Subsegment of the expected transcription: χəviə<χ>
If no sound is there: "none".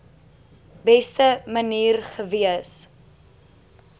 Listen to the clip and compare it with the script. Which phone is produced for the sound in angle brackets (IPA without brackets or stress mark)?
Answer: s